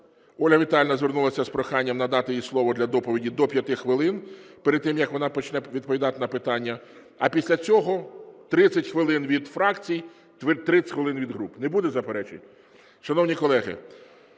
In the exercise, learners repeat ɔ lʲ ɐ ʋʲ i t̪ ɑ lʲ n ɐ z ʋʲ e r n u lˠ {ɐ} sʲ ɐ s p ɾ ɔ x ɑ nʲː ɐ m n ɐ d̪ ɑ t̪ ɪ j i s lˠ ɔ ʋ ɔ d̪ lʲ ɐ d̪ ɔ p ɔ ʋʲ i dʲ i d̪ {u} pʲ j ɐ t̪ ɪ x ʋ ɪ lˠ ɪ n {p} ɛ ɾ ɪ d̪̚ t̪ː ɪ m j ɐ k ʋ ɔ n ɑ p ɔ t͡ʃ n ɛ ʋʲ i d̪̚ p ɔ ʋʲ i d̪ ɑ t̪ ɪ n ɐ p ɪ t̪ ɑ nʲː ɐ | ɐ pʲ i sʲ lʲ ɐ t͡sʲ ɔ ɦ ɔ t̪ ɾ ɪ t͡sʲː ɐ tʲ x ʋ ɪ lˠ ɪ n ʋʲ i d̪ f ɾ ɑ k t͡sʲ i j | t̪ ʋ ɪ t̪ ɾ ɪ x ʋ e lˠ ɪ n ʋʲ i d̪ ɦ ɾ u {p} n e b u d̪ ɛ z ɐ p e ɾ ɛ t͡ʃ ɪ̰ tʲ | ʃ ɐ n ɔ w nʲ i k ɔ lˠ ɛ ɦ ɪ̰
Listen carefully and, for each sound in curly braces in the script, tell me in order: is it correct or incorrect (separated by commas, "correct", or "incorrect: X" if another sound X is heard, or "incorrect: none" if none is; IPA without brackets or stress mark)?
correct, incorrect: ɔ, correct, correct